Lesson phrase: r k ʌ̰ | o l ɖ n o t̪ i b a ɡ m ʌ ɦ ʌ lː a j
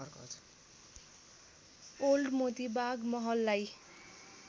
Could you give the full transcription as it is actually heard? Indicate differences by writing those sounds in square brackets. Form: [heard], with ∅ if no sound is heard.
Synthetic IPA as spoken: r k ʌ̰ | o l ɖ [m] o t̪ i b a ɡ m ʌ ɦ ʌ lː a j